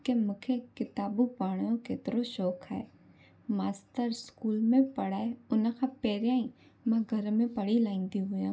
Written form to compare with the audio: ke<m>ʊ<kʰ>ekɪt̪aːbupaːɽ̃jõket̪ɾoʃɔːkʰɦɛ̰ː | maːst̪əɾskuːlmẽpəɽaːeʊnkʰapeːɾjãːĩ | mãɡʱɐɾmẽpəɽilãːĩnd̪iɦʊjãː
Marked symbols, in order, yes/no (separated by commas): yes, yes